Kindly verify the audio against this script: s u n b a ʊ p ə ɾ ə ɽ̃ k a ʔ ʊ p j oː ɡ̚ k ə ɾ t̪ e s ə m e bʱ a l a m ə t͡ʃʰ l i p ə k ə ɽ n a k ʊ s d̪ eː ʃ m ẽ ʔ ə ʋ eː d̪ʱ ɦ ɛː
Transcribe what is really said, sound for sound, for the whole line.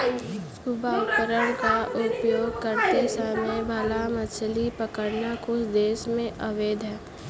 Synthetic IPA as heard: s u b a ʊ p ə ɾ ə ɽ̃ k a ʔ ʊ p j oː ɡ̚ k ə ɾ t̪ e s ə m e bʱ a l a m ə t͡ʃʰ l i p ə k ə ɽ n a k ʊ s d̪ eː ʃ m ẽ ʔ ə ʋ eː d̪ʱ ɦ ɛː